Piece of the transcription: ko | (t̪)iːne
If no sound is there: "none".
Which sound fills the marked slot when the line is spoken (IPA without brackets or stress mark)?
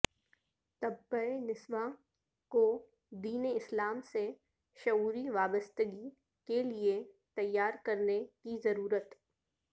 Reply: d̪